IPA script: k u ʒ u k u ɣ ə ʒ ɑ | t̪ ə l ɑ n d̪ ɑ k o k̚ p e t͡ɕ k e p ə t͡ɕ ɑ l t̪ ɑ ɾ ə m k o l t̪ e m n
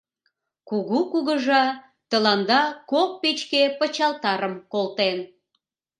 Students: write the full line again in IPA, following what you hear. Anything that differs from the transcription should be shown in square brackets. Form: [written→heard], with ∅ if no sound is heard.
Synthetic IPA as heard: k u [ʒ→ɣ] u k u ɣ ə ʒ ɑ | t̪ ə l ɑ n d̪ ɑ k o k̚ p e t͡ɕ k e p ə t͡ɕ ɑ l t̪ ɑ ɾ ə m k o l t̪ e [m→∅] n